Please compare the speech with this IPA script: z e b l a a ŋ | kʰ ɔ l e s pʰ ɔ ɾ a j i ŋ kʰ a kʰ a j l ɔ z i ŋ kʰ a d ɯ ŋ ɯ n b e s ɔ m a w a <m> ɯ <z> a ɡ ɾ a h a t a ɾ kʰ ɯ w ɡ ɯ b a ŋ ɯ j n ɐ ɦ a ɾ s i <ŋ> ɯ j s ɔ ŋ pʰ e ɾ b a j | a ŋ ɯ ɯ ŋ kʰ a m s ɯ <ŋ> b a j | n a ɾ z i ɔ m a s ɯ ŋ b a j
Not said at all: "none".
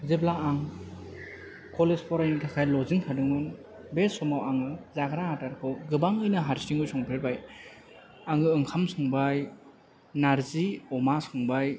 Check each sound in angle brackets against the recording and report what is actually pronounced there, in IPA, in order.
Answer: ŋ, z, ŋ, ŋ

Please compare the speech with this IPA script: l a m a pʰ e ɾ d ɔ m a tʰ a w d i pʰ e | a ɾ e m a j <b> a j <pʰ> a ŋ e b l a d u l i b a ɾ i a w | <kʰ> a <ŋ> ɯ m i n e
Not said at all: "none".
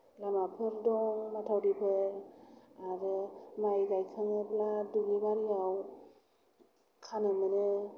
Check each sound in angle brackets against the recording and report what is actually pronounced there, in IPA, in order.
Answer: ɡ, kʰ, kʰ, n

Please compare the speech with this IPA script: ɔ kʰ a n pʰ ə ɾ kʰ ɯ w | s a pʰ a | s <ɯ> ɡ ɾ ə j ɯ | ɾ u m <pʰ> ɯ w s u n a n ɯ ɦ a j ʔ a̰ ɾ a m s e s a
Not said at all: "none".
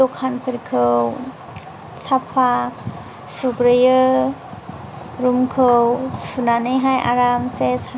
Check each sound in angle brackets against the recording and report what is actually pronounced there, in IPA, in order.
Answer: u, kʰ

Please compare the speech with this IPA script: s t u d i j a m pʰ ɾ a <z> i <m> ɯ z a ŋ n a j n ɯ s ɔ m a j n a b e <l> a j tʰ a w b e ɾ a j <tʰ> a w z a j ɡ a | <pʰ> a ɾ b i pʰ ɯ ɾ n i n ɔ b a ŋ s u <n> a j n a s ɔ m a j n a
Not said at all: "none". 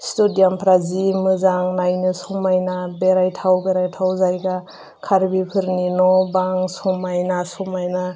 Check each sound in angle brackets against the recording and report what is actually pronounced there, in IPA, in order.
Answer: z, m, ɾ, tʰ, kʰ, m

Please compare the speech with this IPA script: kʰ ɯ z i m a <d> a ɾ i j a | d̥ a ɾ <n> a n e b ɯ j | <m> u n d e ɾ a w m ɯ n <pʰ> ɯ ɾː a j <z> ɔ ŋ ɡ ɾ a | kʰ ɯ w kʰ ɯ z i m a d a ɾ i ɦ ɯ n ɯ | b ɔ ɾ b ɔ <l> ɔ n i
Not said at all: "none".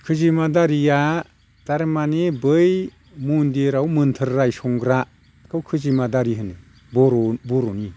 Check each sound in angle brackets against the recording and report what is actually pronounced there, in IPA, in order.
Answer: d, m, m, tʰ, s, ɾ

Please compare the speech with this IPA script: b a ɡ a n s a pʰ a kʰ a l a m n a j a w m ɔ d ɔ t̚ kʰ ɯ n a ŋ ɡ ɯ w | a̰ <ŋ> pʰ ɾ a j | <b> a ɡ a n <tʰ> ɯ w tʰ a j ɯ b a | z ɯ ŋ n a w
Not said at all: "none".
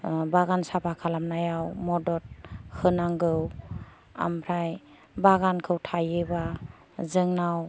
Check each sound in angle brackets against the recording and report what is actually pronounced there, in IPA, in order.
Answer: m, b, kʰ

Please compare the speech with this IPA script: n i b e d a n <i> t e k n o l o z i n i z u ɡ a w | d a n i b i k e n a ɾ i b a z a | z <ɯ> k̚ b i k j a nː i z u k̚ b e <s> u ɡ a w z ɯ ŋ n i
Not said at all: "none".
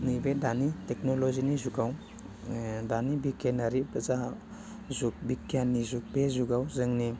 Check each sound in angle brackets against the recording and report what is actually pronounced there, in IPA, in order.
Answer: i, u, z

